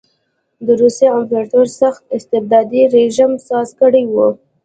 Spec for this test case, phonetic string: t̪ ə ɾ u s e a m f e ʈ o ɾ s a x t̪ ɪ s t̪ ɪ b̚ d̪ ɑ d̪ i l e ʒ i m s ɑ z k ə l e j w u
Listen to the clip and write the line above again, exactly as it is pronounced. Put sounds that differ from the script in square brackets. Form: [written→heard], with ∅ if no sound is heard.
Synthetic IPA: [t̪→d̪] ə ɾ u s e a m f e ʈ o ɾ s a x t̪ ɪ s t̪ ɪ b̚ d̪ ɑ d̪ i [l→ɾ] e ʒ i m s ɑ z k ə [l→ɽ] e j w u